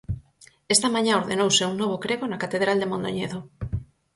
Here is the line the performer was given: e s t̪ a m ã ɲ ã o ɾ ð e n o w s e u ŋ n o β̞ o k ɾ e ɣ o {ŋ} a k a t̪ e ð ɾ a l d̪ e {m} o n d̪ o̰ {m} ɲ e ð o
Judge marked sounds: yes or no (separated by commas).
no, yes, no